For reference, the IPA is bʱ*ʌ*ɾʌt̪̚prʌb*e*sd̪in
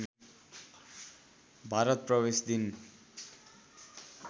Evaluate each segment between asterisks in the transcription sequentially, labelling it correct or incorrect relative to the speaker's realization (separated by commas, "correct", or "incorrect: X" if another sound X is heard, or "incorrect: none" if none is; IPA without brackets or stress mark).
incorrect: a, correct